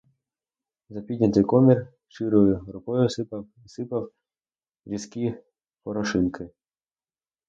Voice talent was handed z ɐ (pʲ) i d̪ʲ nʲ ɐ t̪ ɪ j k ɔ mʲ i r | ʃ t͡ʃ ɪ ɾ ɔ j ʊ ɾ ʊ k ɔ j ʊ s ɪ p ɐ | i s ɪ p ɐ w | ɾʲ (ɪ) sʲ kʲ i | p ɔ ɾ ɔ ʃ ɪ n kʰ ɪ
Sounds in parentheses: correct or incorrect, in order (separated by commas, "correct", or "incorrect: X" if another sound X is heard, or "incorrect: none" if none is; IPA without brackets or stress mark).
correct, incorrect: i